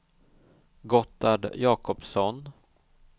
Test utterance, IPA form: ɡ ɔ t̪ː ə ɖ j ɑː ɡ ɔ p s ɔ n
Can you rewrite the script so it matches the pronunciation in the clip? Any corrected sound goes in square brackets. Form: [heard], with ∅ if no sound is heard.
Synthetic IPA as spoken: ɡ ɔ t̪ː [a] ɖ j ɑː [k] ɔ p s ɔ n